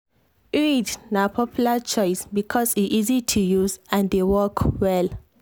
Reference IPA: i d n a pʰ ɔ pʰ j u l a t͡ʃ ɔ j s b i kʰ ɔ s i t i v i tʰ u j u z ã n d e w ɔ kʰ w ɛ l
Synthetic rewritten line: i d n a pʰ ɔ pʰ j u l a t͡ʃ ɔ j s b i kʰ ɔ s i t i z i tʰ u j u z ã n d e w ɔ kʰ w ɛ l